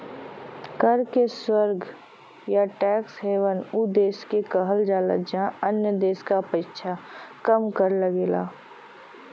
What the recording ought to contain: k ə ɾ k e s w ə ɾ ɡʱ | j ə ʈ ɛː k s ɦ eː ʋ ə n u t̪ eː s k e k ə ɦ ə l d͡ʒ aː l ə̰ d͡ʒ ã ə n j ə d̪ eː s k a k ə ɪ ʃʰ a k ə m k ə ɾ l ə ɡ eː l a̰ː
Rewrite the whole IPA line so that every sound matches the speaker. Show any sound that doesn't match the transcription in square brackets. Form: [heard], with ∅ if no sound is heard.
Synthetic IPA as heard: k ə ɾ k e s w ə ɾ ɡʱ | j [a] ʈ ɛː k s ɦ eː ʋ ə n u [d̪] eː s k e k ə ɦ ə l d͡ʒ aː l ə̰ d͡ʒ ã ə n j ə d̪ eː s k a [p] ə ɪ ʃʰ a k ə m k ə ɾ l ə ɡ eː l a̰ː